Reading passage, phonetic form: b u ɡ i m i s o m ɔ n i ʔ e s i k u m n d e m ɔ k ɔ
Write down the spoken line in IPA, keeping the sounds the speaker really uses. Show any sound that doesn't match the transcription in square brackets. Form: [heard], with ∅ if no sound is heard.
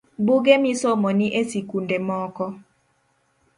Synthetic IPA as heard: b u ɡ [e] m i s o m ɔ n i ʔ e s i k u [∅] n d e m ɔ k ɔ